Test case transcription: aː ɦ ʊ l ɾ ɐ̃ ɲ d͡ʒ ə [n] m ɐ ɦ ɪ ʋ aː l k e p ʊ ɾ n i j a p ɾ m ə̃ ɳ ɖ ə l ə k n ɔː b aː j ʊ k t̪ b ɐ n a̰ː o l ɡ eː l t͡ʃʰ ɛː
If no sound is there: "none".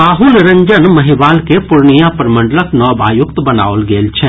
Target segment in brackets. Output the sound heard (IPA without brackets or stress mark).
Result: n